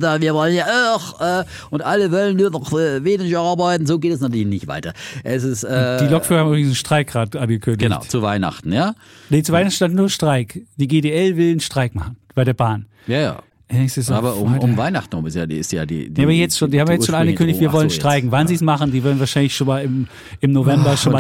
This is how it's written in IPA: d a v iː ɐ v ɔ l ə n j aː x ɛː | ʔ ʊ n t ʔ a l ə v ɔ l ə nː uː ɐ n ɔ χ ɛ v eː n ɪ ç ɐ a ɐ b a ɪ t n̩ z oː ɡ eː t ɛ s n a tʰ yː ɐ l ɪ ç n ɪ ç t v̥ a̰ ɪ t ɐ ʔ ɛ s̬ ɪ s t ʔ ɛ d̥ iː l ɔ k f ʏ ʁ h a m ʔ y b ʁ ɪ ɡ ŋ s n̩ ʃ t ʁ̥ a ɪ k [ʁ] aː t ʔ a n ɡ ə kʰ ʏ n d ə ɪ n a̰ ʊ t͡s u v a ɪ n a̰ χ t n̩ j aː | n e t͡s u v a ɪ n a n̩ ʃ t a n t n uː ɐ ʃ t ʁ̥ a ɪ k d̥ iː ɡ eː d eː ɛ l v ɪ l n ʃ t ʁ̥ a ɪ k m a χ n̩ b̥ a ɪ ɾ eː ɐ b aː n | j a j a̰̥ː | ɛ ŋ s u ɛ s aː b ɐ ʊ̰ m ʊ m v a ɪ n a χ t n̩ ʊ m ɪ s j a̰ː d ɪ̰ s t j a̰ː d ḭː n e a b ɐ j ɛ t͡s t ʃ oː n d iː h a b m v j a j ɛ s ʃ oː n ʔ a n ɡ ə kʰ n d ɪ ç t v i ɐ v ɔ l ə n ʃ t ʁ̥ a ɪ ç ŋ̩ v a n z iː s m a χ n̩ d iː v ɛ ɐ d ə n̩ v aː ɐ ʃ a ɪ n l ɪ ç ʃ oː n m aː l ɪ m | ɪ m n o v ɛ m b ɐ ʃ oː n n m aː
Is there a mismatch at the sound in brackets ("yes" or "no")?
no